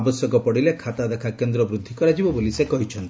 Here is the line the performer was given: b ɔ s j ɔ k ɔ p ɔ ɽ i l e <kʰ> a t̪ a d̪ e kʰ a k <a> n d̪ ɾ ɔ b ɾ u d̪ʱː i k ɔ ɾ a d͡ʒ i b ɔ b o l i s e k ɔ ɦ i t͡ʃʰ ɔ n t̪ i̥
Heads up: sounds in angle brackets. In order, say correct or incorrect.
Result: correct, incorrect

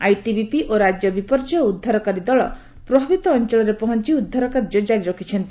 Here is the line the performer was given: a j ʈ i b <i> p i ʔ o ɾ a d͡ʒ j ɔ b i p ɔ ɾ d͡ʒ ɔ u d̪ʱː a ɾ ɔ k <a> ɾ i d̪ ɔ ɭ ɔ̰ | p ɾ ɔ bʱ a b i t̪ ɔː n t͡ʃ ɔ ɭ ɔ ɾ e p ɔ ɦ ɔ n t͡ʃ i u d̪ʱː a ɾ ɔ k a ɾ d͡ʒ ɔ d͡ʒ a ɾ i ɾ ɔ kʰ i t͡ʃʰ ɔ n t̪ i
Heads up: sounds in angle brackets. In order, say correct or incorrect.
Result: correct, correct

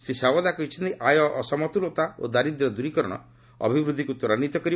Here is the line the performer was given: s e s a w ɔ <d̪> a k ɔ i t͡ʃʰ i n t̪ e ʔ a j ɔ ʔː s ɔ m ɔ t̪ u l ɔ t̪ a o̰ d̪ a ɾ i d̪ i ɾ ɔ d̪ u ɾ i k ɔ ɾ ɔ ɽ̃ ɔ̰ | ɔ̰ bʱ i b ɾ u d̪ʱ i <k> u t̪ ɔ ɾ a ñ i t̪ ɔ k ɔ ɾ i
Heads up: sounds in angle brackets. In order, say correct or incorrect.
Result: correct, correct

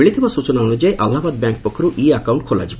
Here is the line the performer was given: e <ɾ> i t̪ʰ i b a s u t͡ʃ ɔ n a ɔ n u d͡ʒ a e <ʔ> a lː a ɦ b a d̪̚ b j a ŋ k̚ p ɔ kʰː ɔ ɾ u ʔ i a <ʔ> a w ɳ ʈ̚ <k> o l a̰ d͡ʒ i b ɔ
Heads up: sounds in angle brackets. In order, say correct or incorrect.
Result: incorrect, correct, incorrect, incorrect

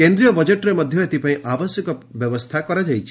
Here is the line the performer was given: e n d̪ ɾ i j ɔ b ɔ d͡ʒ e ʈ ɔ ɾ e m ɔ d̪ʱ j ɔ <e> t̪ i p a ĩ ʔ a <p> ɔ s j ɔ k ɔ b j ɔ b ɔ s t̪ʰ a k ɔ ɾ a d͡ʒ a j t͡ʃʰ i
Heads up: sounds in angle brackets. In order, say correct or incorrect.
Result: correct, incorrect

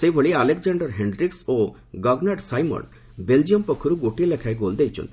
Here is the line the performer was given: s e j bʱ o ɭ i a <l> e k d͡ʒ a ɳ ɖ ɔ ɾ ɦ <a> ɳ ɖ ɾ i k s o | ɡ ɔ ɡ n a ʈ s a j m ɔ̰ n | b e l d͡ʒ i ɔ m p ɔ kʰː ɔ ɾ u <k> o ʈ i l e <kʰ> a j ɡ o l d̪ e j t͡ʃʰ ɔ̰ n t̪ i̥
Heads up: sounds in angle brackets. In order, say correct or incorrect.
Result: correct, incorrect, incorrect, correct

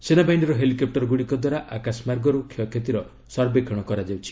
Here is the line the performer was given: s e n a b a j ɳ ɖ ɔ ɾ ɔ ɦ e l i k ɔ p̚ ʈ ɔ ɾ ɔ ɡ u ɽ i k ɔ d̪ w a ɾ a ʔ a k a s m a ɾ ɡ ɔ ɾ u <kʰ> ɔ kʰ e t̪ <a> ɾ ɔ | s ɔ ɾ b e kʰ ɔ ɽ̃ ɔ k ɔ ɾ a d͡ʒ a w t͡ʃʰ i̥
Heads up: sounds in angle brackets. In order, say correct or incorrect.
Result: correct, incorrect

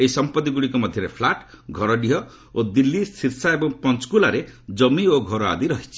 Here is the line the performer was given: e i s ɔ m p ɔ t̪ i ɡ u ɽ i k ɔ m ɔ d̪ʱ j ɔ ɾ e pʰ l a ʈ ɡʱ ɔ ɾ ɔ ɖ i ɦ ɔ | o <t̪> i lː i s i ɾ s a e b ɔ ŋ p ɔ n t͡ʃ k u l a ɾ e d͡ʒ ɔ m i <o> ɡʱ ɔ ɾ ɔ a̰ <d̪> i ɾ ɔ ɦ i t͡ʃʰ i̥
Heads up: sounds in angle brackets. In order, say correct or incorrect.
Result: incorrect, correct, correct

